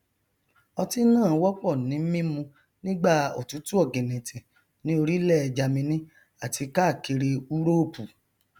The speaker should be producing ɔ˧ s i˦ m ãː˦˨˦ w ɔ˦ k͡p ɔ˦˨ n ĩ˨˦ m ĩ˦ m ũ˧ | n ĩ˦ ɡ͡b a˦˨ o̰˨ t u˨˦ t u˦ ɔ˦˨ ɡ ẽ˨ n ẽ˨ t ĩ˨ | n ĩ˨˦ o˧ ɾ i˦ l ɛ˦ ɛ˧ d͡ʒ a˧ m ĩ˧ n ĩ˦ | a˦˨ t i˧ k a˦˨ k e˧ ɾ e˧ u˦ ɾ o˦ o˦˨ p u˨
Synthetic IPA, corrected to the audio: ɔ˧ t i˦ n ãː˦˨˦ w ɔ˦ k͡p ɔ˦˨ n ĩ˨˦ m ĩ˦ m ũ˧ | n ĩ˦ ɡ͡b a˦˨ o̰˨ t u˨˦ t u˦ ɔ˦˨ ɡ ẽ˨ n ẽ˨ t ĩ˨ | n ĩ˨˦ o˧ ɾ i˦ l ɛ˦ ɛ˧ d͡ʒ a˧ m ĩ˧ n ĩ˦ | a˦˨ t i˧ k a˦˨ k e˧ ɾ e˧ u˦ ɾ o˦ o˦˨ p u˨

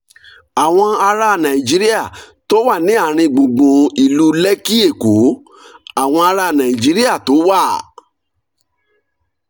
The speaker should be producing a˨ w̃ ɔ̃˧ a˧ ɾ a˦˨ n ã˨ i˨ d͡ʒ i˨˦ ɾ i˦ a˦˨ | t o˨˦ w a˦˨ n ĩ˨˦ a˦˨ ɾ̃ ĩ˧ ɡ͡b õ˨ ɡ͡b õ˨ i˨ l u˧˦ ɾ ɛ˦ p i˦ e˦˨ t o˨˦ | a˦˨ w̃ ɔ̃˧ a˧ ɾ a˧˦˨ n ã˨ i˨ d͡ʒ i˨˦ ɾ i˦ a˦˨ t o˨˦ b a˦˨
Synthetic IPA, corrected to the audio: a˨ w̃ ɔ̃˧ a˧ ɾ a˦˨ n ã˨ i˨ d͡ʒ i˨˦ ɾ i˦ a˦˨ | t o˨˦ w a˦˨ n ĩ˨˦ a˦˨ ɾ̃ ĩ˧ ɡ͡b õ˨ ɡ͡b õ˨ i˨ l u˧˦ l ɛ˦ k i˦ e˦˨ k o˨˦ | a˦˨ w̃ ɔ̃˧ a˧ ɾ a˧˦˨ n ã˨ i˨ d͡ʒ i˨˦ ɾ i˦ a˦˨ t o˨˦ w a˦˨

